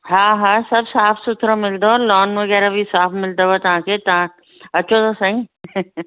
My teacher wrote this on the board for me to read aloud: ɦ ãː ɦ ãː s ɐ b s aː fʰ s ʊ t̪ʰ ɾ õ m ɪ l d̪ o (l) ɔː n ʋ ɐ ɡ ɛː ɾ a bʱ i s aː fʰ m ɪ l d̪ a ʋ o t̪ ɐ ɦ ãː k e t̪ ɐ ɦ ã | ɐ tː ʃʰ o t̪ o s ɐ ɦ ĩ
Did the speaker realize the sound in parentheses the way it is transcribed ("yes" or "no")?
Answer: yes